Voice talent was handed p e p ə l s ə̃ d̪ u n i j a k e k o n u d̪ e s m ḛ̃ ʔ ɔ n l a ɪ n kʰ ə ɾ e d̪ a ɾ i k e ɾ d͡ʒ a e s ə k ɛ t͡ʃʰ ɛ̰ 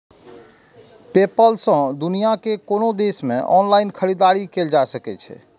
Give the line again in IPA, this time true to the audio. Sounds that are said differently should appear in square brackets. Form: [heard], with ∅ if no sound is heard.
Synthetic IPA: p e p ə l s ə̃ d̪ u n i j a k e k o n [o] d̪ e s m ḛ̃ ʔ ɔ n l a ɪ n kʰ ə ɾ [i] d̪ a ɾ i k e [l] d͡ʒ a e s ə k ɛ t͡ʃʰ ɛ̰